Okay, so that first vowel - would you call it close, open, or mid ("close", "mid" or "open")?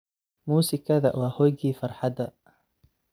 close